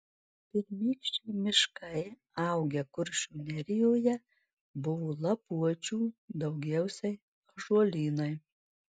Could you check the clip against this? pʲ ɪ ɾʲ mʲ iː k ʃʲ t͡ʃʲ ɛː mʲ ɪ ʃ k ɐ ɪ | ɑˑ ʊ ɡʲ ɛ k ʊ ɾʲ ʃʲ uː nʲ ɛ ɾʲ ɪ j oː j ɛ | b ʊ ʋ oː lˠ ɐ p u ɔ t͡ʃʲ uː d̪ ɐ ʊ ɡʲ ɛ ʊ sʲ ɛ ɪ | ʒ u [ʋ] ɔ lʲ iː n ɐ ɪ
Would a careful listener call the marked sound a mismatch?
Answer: yes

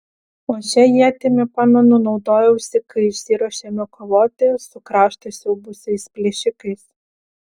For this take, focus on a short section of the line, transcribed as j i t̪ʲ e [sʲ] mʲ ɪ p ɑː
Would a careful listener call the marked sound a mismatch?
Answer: yes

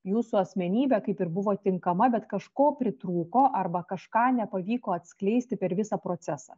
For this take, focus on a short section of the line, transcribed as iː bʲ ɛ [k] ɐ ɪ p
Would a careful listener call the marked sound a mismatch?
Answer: no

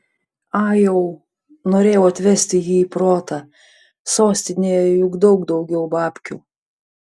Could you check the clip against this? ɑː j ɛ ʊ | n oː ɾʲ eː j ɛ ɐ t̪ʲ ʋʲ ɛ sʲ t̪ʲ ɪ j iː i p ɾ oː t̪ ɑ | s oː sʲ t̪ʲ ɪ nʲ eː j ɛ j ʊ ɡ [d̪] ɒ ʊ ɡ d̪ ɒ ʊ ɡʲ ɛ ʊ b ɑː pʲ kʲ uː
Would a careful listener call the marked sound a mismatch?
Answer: no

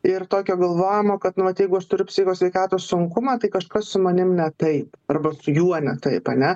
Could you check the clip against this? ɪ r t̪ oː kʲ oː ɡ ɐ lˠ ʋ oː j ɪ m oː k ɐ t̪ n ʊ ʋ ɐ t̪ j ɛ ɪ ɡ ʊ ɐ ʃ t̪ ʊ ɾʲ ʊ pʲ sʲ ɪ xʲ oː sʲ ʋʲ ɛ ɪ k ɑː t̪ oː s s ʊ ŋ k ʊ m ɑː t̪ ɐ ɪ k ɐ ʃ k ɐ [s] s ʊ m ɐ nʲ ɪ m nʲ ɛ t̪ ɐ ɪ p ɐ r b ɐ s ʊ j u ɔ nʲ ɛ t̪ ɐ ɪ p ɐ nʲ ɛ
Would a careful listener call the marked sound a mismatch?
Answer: no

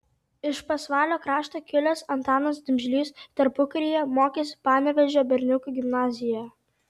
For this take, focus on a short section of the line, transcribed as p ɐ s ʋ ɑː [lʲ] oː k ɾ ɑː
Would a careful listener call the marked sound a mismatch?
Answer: no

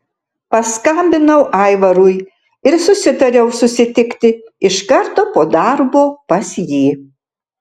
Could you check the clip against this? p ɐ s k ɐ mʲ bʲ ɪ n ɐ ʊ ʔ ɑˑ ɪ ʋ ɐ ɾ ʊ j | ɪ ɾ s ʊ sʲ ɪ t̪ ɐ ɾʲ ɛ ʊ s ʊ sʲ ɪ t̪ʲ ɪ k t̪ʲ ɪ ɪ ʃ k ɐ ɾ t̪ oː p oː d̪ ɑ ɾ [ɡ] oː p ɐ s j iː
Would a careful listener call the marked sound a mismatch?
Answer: yes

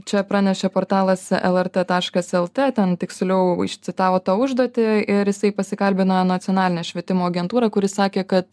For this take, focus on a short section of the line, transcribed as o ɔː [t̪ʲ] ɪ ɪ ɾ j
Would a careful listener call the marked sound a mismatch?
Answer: no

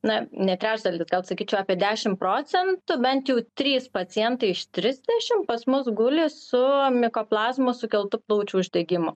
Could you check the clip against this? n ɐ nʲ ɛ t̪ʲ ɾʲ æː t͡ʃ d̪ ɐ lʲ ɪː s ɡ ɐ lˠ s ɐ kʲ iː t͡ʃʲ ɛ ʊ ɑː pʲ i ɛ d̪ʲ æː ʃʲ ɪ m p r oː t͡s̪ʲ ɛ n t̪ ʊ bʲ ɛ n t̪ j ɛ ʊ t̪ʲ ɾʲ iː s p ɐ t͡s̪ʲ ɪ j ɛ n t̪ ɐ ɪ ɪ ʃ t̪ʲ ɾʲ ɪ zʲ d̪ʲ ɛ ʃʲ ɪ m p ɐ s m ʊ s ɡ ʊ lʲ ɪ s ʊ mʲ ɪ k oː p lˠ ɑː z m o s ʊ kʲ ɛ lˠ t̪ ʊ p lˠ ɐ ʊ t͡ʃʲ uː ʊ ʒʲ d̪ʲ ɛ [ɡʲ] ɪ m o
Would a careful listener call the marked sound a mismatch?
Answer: no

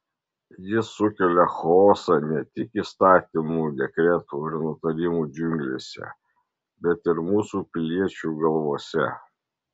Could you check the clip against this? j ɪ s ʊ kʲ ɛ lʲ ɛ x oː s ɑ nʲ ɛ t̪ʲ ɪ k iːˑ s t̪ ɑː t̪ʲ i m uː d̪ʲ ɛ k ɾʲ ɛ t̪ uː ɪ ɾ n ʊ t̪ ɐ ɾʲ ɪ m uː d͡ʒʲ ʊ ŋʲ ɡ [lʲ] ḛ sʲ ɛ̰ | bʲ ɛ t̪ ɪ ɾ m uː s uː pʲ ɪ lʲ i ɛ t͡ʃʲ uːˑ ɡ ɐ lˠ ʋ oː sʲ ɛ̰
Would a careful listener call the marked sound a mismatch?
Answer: no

